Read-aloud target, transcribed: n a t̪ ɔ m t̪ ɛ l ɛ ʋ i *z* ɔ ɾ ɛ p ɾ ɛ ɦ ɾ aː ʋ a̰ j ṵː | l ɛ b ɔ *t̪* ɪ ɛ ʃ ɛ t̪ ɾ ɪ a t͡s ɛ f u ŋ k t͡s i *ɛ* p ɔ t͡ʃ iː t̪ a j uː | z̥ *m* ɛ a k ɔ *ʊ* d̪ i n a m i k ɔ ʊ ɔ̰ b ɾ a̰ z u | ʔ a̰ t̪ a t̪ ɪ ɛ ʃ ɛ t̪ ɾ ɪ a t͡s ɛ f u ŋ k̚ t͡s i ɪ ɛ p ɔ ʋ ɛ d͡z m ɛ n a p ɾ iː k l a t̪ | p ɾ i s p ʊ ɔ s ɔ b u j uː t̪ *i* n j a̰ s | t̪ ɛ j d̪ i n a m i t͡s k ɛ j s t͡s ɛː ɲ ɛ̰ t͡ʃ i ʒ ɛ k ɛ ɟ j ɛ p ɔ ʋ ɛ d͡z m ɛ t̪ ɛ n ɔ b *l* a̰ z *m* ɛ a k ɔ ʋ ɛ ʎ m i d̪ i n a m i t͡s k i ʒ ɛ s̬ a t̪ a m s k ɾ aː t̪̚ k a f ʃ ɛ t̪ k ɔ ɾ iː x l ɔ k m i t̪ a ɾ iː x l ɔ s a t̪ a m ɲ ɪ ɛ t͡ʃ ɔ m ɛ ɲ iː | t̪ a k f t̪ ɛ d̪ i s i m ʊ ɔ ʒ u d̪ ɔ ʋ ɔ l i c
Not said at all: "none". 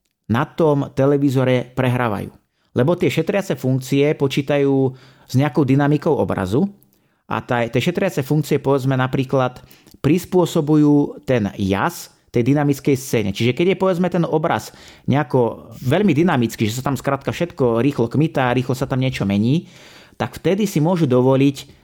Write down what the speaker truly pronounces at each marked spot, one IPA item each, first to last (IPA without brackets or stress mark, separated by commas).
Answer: z, t̪, ɛ, ɲ, ʊ, ɛ, ɾ, ɲ